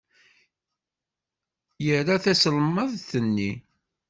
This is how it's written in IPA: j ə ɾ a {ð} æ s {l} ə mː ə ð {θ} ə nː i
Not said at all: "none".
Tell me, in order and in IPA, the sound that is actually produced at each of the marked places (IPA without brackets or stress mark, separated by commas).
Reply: θ, l, θ